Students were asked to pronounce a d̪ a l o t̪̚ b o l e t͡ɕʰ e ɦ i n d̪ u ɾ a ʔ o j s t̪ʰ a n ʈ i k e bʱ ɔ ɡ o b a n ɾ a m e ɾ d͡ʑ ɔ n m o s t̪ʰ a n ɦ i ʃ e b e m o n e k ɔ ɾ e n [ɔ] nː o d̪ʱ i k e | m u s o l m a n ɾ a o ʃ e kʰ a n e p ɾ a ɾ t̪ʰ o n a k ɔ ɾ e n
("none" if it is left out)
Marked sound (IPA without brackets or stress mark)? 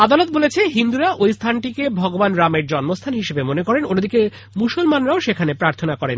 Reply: o